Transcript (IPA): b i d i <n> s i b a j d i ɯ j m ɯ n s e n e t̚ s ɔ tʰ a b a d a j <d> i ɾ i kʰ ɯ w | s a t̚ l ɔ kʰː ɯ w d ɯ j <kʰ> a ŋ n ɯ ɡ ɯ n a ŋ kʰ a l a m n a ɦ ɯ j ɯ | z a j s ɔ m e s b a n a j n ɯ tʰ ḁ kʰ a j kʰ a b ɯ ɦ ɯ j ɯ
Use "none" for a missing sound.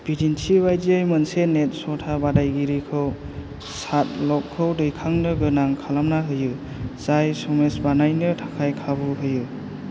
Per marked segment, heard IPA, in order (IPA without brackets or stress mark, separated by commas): n, ɡ, kʰ